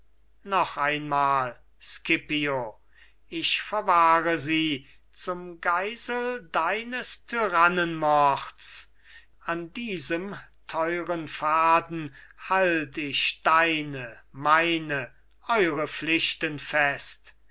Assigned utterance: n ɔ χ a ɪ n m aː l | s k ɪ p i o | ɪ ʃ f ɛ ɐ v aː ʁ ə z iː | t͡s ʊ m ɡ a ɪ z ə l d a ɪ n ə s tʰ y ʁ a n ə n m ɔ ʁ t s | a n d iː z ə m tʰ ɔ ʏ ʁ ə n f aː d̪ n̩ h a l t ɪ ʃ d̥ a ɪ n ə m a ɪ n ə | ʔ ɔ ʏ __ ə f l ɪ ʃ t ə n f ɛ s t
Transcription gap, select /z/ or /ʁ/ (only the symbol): ʁ